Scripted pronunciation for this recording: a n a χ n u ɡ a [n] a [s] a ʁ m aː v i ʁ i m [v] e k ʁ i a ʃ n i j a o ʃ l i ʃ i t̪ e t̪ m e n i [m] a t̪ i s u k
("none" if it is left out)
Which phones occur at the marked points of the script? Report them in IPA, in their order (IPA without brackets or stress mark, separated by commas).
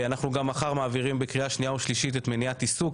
m, χ, b, none